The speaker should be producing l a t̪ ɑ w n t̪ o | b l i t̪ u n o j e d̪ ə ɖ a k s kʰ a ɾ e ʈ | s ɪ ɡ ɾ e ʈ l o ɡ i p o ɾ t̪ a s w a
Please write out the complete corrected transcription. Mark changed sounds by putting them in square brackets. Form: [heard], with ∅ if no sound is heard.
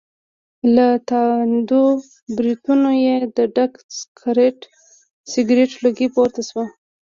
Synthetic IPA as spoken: l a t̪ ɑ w n [d̪] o | b [ɾ] i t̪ u n o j e d̪ ə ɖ a k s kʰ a ɾ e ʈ | s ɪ ɡ ɾ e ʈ l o ɡ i p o ɾ t̪ a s w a